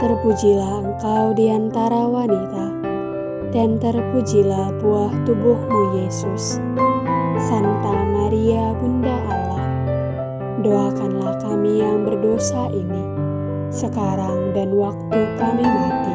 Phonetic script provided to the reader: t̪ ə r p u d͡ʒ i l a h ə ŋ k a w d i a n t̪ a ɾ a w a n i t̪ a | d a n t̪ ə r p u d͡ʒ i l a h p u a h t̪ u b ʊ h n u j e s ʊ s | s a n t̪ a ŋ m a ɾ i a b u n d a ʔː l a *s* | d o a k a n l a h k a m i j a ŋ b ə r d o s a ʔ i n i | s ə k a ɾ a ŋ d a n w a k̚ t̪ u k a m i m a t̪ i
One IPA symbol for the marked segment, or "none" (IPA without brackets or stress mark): h